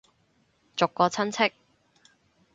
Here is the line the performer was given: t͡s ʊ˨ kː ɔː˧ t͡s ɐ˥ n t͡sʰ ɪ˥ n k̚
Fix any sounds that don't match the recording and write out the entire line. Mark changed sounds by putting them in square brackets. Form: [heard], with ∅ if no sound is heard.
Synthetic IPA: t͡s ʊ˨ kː ɔː˧ [t͡sʰ] ɐ˥ n t͡sʰ ɪ˥ [∅] k̚